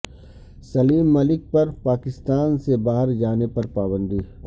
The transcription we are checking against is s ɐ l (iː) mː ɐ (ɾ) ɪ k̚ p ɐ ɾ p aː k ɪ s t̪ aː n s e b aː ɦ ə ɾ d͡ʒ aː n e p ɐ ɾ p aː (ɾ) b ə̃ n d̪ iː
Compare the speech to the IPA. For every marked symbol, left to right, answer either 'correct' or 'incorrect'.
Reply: correct, incorrect, incorrect

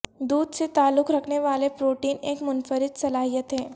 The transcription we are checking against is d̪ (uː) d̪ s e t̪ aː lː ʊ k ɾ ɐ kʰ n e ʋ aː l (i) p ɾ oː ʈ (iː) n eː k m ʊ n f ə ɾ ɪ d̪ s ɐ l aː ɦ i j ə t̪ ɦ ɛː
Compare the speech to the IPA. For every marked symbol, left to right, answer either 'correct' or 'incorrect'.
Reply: correct, incorrect, correct

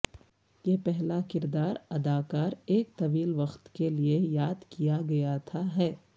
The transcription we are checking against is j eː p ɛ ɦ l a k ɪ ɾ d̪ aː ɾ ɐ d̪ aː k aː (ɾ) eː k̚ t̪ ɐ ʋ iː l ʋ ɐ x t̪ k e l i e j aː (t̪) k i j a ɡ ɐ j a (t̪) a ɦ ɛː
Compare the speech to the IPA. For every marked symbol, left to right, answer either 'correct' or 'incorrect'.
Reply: correct, incorrect, incorrect

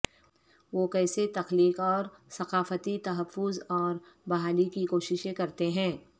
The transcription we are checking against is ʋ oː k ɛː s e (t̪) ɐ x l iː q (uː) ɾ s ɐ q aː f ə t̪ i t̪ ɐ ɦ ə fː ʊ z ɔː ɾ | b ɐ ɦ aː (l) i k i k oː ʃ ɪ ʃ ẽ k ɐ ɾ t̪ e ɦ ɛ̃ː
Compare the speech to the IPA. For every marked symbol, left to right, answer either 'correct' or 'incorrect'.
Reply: correct, incorrect, correct

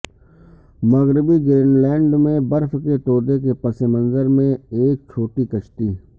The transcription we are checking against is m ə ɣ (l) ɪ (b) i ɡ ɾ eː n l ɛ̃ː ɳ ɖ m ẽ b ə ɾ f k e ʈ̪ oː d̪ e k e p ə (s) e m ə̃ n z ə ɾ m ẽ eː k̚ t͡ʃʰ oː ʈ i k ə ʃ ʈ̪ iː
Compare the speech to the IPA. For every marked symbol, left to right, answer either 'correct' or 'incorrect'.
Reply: incorrect, correct, correct

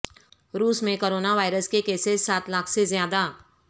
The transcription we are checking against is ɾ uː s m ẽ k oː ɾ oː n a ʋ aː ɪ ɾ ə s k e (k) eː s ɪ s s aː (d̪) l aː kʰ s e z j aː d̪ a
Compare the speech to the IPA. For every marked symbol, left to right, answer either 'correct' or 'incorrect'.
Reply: correct, incorrect

